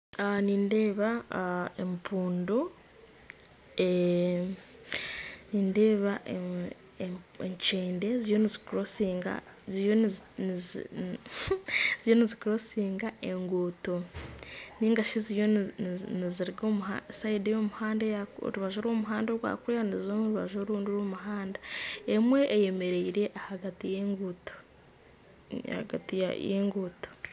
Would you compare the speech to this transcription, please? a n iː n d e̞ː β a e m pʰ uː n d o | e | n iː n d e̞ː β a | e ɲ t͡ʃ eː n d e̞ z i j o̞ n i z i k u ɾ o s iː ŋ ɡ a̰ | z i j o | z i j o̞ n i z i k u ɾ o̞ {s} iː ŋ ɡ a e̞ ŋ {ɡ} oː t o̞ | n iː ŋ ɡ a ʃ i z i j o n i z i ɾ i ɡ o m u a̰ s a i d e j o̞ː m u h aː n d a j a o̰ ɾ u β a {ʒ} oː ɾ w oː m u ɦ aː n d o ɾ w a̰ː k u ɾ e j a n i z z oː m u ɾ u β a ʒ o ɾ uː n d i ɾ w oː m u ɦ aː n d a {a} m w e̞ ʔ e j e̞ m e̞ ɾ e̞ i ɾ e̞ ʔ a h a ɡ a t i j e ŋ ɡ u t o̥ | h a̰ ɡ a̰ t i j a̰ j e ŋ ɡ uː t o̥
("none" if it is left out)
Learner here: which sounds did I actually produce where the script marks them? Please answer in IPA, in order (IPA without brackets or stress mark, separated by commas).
s, ɡ, ʒ, e